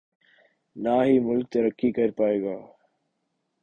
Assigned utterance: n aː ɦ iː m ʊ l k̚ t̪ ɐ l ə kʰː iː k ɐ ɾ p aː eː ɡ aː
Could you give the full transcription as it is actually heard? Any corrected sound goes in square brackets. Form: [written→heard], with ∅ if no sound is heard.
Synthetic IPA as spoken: n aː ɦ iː m ʊ l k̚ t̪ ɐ [l→ɾ] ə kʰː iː k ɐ ɾ p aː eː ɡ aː